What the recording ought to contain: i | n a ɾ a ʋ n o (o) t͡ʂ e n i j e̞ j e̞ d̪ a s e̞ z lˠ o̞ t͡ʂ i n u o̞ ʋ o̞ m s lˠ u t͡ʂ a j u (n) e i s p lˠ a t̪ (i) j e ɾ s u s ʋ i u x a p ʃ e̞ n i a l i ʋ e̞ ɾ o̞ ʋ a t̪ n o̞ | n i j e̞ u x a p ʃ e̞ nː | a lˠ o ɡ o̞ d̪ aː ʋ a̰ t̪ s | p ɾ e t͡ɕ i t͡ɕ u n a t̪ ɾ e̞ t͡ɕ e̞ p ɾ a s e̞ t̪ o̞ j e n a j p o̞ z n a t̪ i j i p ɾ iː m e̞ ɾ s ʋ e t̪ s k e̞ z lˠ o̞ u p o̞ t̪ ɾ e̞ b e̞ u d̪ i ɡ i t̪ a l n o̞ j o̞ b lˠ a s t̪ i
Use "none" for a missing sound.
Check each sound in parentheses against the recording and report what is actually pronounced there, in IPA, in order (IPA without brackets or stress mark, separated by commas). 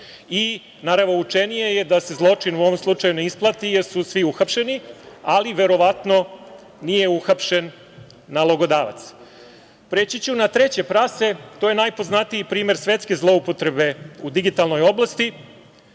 u, n, i